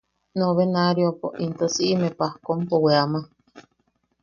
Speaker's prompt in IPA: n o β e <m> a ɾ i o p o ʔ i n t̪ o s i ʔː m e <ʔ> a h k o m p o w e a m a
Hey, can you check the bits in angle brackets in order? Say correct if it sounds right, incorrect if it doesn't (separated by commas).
incorrect, incorrect